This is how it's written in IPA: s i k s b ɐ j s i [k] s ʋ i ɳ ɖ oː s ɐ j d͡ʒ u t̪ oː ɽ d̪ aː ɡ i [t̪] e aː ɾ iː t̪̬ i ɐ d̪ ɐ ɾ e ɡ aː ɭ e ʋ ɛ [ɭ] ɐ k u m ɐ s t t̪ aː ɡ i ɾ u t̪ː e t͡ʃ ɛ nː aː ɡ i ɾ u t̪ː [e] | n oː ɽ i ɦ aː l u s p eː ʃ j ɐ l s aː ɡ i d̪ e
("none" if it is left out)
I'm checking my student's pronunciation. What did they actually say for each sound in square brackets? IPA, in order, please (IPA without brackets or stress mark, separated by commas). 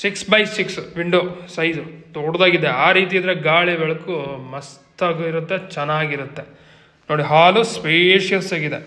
k, d̪, ɭ, e